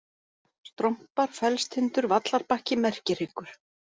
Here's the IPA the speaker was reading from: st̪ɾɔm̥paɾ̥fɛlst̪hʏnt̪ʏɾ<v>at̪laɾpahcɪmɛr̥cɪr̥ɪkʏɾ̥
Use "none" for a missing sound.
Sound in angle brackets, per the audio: v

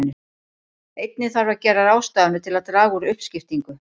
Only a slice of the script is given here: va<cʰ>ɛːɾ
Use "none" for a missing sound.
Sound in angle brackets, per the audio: c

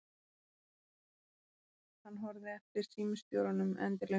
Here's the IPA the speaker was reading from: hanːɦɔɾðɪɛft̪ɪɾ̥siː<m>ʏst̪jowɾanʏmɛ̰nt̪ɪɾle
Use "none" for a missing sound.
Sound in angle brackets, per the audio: m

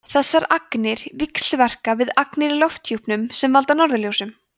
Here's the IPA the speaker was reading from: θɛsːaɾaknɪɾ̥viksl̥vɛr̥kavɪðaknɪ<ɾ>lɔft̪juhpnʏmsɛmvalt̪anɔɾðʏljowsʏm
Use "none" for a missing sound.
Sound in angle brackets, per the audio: ɾ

